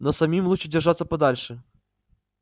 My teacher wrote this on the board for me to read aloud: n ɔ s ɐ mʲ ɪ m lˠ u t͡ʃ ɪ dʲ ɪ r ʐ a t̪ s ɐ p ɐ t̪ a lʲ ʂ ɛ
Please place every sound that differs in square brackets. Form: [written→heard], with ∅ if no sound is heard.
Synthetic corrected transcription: n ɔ s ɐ mʲ [ɪ→i] m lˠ u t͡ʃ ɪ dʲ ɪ r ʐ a t̪ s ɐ p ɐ [t̪→d̪] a lʲ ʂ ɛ